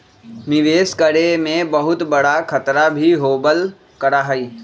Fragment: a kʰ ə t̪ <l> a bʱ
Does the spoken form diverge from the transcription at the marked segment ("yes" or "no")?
yes